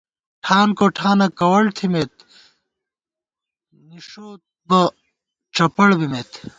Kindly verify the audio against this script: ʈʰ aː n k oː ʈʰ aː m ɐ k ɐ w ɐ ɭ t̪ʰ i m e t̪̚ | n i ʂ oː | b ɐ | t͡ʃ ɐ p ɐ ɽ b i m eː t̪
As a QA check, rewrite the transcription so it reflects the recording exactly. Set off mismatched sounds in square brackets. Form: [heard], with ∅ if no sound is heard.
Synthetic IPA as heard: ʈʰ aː n k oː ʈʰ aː [n] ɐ k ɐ w ɐ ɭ t̪ʰ i m e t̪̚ | n i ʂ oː | b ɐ | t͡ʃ ɐ p ɐ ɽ b i m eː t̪